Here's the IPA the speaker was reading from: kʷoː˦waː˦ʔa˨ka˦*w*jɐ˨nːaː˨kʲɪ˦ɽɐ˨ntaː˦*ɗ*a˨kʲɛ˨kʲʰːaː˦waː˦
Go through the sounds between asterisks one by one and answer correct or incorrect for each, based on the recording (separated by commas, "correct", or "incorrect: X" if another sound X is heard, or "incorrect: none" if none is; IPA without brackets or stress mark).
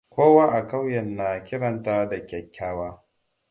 correct, incorrect: d